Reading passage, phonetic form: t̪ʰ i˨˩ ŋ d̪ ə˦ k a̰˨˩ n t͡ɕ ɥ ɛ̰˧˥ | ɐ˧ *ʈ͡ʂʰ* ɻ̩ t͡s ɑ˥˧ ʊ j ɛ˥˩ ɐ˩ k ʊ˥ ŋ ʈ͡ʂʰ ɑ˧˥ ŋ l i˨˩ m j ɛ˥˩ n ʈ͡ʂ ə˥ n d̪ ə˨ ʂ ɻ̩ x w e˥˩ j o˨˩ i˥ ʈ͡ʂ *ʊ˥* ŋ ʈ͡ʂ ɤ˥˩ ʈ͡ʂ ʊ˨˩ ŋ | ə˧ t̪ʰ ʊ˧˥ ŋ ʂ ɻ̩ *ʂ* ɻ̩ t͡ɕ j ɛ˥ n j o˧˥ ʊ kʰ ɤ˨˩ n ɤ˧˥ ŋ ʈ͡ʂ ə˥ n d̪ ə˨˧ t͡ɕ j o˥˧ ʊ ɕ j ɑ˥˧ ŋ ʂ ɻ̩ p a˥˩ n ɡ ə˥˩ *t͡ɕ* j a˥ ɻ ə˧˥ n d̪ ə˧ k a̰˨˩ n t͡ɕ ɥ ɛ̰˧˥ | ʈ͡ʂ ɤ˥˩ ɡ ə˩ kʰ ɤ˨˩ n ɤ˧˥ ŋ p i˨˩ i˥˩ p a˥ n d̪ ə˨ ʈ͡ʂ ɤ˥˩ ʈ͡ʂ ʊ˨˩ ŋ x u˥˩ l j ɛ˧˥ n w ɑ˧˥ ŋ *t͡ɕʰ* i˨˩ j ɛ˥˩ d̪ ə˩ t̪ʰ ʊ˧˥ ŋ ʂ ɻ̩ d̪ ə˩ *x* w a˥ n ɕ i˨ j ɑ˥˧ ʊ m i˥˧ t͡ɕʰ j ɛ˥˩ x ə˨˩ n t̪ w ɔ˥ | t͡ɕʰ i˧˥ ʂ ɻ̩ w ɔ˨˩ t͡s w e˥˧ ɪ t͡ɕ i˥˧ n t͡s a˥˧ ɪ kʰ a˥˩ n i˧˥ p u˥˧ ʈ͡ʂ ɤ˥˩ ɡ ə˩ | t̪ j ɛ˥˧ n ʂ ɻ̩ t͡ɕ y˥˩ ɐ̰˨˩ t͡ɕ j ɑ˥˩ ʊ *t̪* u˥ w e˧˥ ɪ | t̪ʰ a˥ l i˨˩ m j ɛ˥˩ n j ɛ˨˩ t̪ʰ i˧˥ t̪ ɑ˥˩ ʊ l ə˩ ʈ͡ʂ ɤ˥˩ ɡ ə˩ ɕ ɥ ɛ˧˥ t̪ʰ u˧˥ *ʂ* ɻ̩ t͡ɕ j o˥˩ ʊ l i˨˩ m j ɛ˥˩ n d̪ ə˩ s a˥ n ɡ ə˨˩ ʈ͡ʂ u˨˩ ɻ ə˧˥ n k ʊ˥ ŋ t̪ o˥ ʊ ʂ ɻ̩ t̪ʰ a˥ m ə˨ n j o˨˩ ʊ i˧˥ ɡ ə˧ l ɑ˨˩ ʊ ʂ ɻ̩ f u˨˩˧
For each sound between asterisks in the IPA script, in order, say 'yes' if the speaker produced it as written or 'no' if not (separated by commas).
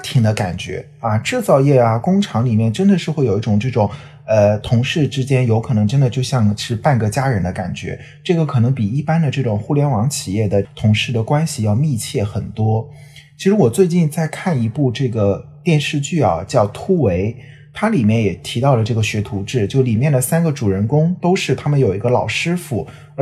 no, no, no, yes, yes, no, no, no